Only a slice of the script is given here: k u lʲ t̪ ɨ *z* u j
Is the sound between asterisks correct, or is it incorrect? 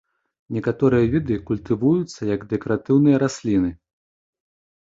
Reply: incorrect